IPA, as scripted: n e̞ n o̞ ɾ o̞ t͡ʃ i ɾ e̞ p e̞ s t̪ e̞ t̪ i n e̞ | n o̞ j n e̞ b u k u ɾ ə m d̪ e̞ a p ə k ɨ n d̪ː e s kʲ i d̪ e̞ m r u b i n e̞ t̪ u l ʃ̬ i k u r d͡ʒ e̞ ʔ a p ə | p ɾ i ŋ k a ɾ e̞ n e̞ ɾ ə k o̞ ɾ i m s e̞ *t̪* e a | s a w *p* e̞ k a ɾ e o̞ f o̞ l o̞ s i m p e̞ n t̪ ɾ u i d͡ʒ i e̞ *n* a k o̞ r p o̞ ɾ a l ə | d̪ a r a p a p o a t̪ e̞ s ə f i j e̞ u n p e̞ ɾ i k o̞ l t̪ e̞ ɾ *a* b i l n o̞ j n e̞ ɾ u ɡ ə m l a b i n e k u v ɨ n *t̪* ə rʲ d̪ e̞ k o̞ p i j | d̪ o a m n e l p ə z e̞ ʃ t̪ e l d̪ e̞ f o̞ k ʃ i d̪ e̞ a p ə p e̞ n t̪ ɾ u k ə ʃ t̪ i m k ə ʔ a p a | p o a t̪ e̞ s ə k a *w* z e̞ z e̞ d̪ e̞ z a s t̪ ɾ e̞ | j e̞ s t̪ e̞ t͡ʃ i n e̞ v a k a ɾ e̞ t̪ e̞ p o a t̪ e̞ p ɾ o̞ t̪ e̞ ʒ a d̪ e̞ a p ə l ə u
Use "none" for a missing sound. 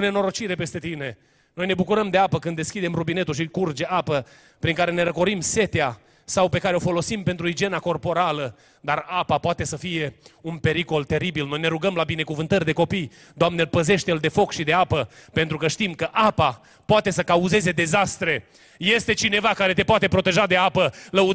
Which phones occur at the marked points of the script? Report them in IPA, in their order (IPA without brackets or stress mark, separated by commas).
t̪, p, n, i, t̪, u